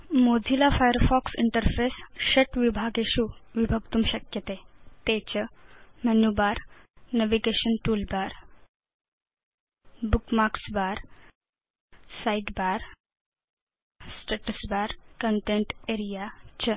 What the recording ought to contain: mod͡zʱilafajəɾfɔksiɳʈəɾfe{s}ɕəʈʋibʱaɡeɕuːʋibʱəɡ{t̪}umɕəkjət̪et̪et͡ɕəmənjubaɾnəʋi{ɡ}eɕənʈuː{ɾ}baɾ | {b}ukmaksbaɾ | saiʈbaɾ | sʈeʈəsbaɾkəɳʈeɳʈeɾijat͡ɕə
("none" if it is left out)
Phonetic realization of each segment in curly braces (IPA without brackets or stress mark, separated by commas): s, t̪, ɡ, l, b